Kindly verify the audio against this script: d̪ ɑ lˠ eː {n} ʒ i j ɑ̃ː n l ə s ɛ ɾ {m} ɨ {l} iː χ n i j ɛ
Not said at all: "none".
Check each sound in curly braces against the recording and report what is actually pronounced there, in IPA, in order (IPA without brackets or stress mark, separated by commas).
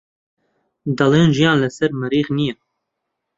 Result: n, m, ɾ